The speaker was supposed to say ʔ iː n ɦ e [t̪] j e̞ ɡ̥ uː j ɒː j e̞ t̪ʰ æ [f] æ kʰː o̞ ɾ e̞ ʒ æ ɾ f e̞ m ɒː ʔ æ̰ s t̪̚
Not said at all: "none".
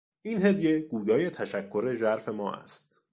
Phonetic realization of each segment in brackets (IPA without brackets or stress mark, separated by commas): d̪, ʃ